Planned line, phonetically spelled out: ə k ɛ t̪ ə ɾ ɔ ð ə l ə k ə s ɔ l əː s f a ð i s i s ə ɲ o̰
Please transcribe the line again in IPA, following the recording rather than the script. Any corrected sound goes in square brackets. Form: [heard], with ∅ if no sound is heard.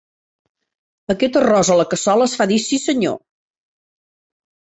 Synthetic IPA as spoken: ə k ɛ t̪ ə [r] ɔ [z] ə l ə k ə s ɔ l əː s f a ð i s i s ə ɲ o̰